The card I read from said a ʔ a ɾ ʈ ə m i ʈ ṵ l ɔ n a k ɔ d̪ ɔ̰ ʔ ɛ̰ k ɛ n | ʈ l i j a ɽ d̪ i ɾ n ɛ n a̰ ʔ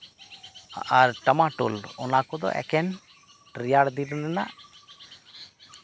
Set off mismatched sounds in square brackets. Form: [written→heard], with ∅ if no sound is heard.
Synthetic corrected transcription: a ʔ a ɾ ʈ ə m [i→a] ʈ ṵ l ɔ n a k ɔ d̪ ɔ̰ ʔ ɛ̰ k ɛ n | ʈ [l→ɾ] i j a ɽ d̪ i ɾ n ɛ n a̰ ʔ